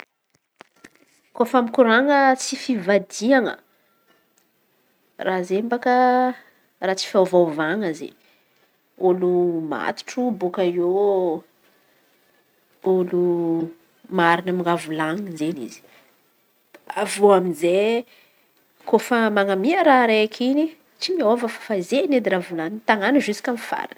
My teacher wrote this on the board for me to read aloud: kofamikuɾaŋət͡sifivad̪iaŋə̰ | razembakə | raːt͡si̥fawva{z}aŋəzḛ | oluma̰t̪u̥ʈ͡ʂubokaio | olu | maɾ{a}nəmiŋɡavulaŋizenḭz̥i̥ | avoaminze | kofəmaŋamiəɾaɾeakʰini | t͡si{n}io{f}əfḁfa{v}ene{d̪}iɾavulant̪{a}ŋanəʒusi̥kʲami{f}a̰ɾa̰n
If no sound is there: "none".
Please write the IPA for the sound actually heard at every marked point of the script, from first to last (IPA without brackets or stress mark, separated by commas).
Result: v, i, m, v, z, d̪, a, f